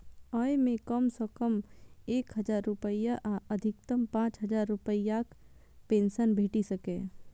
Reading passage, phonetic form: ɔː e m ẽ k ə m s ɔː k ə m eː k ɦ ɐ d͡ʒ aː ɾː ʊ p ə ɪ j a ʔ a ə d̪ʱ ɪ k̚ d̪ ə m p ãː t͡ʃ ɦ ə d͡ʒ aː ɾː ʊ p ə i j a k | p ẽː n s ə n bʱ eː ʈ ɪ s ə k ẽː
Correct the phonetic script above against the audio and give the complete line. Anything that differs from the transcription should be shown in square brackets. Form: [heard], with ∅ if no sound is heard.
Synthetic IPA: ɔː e m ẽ k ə m s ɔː k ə m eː k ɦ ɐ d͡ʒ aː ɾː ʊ p ə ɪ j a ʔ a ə d̪ʱ ɪ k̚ [t̪] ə m p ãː t͡ʃ ɦ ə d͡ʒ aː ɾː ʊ p ə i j a k | p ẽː n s ə n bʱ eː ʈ [i] s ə k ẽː